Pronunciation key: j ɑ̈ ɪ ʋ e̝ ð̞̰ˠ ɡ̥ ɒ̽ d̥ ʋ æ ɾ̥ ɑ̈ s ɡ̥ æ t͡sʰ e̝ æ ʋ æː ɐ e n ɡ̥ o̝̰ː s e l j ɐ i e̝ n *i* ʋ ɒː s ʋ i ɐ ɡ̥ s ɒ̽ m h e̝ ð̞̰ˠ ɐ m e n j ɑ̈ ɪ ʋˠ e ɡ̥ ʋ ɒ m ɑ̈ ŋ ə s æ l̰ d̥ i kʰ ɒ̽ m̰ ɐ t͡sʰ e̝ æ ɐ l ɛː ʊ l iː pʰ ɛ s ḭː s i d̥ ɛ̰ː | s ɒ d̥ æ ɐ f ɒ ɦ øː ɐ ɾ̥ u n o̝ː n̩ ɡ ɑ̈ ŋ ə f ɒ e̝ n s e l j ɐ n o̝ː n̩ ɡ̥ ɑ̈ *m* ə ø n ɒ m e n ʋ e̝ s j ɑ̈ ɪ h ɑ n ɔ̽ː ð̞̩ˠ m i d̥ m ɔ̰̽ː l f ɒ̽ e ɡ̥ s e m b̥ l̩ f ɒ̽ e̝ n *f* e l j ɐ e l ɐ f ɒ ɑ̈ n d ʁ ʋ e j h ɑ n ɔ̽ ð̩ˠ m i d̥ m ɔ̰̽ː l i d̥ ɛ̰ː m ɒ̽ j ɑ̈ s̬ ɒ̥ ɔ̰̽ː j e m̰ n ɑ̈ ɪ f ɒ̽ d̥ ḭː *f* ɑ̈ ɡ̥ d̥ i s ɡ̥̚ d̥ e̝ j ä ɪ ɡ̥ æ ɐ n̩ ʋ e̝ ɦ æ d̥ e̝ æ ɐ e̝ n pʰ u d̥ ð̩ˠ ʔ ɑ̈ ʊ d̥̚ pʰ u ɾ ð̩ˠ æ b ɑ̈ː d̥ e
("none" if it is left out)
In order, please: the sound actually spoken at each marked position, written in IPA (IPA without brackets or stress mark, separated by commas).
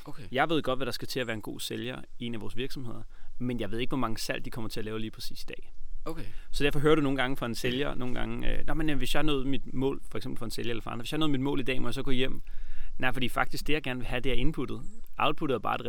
æ, ŋ, s, f